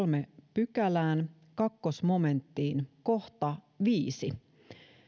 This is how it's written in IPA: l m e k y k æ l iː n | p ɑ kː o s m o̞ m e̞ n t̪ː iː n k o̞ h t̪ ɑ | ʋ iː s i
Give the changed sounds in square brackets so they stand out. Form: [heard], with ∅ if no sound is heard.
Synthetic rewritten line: l m e [p] y k æ l [æː] n | [k] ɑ kː o s m o̞ m e̞ n t̪ː iː n k o̞ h t̪ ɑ | ʋ iː s i